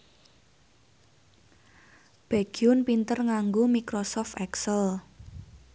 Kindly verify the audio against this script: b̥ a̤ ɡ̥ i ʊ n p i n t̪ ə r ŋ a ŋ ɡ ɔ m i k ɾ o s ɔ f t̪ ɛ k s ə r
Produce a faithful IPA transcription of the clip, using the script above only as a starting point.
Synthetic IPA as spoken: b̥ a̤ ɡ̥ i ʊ n p i n t̪ ə r ŋ a ŋ ɡ o m i k ɾ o s ɔ f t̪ ɛ k s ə l